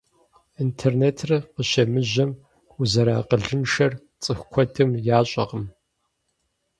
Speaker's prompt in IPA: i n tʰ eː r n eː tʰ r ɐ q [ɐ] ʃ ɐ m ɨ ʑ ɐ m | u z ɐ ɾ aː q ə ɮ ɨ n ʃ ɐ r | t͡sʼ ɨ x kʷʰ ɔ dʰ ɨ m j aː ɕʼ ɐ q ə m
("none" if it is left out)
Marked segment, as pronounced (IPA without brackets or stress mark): ə